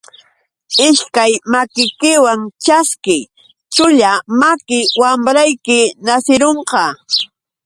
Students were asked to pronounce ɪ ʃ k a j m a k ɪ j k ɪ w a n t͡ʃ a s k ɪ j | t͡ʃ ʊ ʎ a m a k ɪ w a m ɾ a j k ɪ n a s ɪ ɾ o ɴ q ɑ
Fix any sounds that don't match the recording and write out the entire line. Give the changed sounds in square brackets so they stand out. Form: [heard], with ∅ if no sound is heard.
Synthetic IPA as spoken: ɪ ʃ k a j m a k ɪ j k ɪ w a [ŋ] t͡ʃ a s k ɪ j | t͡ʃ ʊ ʎ a m a k ɪ w a m ɾ a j k ɪ n a s ɪ ɾ o ɴ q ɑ